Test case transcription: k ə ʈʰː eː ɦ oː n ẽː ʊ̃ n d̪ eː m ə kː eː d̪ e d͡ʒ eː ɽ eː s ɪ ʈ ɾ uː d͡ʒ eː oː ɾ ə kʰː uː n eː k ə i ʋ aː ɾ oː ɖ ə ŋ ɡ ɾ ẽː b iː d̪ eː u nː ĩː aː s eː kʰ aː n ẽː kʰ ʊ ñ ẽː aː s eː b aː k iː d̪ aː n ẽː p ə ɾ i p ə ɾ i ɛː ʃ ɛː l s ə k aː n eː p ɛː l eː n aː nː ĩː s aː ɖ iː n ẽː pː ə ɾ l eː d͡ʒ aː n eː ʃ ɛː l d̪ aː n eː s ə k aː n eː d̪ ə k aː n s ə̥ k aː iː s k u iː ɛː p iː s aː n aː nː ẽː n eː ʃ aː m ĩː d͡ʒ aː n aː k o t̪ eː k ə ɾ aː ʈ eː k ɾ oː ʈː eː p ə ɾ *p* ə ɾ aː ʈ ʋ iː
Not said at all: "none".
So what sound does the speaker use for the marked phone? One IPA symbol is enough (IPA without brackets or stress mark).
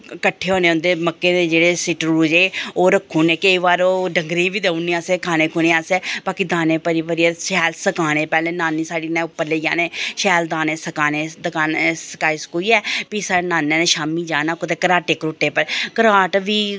k